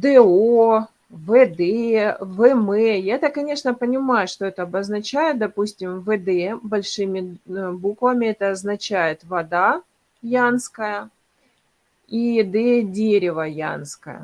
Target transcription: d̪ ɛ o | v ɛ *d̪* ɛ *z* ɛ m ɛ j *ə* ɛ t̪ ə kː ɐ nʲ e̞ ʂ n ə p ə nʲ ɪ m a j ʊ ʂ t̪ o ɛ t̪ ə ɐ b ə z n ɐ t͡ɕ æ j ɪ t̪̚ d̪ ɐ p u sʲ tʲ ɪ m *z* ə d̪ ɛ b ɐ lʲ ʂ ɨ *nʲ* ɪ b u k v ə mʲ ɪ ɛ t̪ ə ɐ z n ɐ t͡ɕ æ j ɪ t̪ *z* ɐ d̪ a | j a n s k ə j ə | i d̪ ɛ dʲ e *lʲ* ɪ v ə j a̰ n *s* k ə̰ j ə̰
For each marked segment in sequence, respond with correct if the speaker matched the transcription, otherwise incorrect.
correct, incorrect: v, incorrect: a, incorrect: v, incorrect: mʲ, incorrect: v, incorrect: ɾʲ, correct

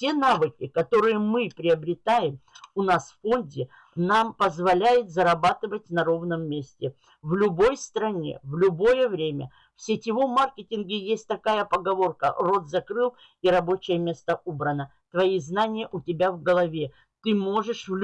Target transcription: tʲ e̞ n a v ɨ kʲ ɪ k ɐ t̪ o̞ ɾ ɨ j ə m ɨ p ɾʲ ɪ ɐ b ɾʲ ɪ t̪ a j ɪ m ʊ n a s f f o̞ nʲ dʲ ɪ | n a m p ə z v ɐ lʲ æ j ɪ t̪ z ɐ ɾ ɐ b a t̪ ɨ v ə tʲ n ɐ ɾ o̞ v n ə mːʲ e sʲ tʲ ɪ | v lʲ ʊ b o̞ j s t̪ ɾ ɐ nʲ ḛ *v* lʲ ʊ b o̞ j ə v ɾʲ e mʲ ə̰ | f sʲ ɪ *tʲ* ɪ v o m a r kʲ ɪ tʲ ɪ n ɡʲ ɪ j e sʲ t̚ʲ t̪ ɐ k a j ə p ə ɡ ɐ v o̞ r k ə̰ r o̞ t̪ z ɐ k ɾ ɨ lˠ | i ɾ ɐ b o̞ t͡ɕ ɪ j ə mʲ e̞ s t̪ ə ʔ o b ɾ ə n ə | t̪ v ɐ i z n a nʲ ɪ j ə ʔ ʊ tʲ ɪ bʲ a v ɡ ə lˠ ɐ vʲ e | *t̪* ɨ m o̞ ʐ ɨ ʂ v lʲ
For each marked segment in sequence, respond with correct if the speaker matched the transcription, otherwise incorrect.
correct, correct, correct

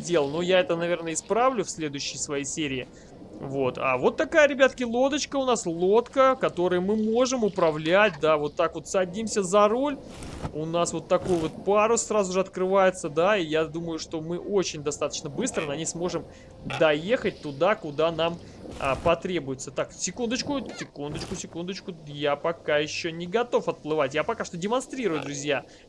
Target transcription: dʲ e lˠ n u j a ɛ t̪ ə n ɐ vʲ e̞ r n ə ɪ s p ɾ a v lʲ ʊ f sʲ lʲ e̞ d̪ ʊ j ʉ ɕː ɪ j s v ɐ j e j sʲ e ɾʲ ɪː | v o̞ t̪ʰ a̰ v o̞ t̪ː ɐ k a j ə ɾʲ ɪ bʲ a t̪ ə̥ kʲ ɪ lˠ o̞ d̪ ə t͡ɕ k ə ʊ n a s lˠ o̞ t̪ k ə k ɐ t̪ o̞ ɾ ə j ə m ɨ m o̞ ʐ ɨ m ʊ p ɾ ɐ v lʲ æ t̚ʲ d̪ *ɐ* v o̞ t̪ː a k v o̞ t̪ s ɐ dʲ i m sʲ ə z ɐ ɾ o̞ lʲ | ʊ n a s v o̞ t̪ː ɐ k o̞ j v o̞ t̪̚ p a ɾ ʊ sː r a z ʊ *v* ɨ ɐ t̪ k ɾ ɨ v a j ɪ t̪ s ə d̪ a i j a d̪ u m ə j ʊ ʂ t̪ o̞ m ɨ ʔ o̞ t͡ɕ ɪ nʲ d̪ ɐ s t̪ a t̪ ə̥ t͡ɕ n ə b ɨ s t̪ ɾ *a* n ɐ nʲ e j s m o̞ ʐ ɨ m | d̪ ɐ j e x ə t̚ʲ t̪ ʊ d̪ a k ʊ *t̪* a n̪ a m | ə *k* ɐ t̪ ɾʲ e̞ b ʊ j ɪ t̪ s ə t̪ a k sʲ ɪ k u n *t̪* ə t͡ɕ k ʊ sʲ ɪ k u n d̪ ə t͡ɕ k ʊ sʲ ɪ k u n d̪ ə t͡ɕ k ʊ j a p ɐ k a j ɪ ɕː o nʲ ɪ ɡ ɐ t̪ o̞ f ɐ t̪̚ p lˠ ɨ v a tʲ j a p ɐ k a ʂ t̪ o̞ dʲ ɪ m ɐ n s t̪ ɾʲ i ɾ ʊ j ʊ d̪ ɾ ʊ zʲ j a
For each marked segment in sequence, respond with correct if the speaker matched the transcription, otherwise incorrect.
incorrect: a, incorrect: ʐ, incorrect: ə, incorrect: d̪, incorrect: p, incorrect: d̪

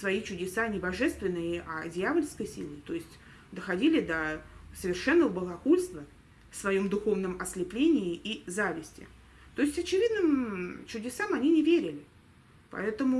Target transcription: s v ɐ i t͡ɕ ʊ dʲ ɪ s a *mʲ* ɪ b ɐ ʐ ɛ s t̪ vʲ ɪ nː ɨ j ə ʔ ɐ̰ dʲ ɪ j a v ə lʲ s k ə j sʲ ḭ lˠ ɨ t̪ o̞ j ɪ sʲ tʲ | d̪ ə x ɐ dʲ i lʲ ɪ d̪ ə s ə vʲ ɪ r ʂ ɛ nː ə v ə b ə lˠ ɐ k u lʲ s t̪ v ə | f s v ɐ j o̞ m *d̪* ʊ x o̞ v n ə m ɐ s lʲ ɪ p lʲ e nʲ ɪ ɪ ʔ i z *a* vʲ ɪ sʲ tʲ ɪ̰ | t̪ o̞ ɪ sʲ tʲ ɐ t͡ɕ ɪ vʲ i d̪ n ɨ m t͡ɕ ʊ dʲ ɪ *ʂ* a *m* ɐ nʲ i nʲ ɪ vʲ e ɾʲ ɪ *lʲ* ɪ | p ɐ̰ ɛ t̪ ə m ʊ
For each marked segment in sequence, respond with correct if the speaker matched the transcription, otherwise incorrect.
incorrect: nʲ, correct, correct, incorrect: s, correct, correct

